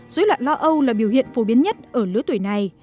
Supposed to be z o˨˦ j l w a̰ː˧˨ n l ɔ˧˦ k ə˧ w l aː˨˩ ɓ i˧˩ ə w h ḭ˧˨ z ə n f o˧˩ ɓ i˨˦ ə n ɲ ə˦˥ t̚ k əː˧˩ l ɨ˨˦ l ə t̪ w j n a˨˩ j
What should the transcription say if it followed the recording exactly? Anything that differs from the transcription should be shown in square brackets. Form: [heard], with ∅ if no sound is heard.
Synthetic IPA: z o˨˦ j l w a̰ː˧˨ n l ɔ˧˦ [ʔ] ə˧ w l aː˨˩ ɓ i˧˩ ə w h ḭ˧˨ [∅] ə n f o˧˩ ɓ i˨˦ ə n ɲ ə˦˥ t̚ [ʔ] əː˧˩ l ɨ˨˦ [∅] ə t̪ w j n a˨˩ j

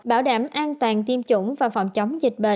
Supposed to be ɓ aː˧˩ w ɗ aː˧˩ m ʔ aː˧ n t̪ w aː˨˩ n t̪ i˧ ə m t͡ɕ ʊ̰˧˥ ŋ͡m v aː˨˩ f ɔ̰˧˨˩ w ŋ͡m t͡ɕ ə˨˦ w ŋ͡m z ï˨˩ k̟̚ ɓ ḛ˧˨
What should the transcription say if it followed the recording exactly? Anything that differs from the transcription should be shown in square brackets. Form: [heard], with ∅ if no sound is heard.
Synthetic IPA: ɓ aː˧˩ w ɗ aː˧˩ m ʔ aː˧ n t̪ w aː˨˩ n t̪ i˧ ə m t͡ɕ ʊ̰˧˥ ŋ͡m v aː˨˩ f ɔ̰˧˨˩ w ŋ͡m t͡ɕ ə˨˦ w ŋ͡m z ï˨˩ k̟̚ ɓ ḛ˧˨

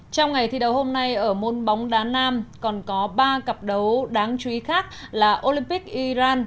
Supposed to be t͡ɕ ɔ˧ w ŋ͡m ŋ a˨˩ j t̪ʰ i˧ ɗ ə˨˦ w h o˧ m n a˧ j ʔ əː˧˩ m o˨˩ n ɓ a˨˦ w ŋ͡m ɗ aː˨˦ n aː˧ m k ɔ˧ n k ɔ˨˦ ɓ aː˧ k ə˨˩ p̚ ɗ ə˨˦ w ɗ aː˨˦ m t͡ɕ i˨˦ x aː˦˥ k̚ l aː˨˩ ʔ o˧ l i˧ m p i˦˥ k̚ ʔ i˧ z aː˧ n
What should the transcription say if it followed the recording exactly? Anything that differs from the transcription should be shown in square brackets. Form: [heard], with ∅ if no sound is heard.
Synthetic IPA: t͡ɕ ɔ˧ w ŋ͡m ŋ a˨˩ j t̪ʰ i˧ ɗ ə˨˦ w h o˧ m n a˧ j ʔ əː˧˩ m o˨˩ n ɓ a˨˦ w ŋ͡m ɗ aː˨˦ n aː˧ m k [ɔ˨˩] n k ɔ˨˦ ɓ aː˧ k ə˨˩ p̚ ɗ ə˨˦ w ɗ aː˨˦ [ŋ] t͡ɕ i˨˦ x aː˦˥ k̚ l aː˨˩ ʔ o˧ l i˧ m p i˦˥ k̚ ʔ i˧ z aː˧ n

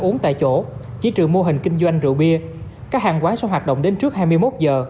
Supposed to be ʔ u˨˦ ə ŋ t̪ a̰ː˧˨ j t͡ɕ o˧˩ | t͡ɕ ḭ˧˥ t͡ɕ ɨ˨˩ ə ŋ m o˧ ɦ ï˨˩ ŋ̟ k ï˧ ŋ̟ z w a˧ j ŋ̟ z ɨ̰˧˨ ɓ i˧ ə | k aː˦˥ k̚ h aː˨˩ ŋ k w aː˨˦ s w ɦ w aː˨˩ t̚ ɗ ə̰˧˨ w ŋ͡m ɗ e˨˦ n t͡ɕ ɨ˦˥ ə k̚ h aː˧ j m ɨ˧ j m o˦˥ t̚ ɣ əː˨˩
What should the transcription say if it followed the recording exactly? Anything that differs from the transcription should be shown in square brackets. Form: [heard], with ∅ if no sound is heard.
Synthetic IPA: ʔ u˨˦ ə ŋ t̪ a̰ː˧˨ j t͡ɕ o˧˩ | t͡ɕ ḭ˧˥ t͡ɕ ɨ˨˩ ə ŋ m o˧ ɦ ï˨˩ ŋ̟ k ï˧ ŋ̟ z w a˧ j ŋ̟ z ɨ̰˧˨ ɓ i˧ ə | k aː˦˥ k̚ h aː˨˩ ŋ k w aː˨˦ s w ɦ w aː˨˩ t̚ ɗ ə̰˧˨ w ŋ͡m ɗ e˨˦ n t͡ɕ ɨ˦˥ ə k̚ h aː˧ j m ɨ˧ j m o˦˥ t̚ [z] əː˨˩

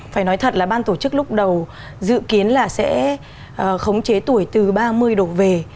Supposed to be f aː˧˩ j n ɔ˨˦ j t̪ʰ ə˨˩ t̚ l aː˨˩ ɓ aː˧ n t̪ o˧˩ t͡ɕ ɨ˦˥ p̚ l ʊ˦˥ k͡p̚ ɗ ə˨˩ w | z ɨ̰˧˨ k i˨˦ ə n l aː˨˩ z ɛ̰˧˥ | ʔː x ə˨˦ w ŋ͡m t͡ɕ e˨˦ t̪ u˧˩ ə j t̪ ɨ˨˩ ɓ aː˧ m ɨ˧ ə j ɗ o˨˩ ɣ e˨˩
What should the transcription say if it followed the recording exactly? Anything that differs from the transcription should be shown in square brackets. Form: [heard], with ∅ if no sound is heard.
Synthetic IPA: f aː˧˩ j n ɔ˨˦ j t̪ʰ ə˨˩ t̚ l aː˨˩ ɓ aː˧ n t̪ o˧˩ t͡ɕ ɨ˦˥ [k̚] l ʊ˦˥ k͡p̚ ɗ ə˨˩ w | z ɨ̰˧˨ k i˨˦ ə n l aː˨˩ [s] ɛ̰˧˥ | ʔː x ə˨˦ w ŋ͡m t͡ɕ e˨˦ t̪ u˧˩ ə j t̪ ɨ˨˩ ɓ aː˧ m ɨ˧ ə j ɗ o˨˩ [v] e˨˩

